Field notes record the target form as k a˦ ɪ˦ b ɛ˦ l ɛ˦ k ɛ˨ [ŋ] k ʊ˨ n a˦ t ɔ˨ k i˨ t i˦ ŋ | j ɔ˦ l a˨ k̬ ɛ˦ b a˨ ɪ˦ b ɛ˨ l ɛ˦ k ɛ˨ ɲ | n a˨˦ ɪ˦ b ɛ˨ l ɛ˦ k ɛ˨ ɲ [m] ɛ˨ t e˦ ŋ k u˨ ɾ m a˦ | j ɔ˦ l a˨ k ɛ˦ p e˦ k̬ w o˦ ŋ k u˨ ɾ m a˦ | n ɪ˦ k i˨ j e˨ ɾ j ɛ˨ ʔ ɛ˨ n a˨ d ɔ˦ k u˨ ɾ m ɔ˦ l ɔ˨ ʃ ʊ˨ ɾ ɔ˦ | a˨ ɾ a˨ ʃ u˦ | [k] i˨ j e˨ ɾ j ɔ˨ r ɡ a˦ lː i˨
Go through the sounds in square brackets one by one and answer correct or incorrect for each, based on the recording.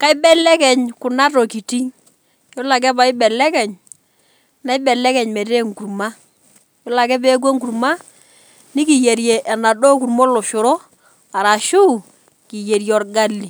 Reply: incorrect: ɲ, correct, correct

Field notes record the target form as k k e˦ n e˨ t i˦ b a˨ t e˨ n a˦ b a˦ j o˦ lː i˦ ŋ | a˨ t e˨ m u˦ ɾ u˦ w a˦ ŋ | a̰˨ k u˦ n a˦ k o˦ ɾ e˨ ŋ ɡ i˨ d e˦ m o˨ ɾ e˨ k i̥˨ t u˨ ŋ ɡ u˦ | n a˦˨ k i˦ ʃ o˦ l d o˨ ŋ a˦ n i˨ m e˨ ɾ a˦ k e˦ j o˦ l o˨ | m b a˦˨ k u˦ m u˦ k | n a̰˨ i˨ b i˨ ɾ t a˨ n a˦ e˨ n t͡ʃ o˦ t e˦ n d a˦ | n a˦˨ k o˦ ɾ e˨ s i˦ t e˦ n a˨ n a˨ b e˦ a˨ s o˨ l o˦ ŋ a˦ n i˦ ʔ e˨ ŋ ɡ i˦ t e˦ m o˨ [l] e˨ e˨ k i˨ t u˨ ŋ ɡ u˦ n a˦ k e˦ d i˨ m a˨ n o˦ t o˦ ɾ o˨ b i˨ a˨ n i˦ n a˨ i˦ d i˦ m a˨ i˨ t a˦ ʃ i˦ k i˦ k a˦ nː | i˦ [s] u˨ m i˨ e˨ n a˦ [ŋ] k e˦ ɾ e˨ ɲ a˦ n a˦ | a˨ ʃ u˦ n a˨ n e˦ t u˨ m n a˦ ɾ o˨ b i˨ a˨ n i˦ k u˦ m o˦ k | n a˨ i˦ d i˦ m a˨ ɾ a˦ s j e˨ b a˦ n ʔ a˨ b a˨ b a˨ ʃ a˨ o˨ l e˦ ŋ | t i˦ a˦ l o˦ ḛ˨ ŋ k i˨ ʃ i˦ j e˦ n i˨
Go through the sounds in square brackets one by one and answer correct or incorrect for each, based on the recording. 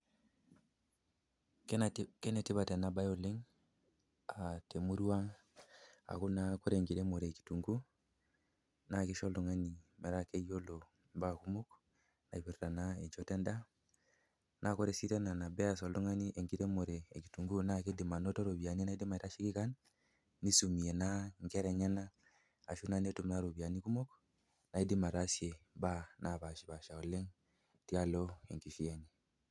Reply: incorrect: ɾ, correct, correct

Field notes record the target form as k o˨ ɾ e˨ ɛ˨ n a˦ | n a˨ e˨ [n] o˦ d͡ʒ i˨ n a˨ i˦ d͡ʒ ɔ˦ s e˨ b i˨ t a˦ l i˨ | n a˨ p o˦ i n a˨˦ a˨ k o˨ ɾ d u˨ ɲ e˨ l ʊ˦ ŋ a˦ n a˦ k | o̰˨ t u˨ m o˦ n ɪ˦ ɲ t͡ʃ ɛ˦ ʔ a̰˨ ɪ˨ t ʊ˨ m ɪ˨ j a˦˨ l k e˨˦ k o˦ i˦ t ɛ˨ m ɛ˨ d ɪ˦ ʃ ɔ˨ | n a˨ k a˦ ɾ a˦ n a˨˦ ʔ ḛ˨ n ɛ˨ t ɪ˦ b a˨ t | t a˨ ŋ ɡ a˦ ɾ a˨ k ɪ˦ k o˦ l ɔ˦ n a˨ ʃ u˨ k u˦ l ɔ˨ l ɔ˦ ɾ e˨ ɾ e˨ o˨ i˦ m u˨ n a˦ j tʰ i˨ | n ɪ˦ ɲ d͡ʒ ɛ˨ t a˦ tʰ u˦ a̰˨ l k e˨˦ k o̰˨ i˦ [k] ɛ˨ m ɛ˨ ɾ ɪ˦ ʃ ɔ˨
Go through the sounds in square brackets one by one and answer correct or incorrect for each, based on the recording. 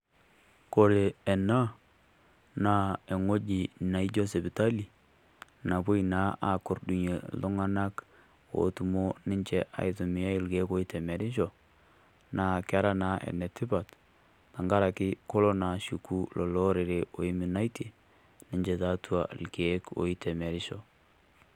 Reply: incorrect: ŋ, incorrect: t

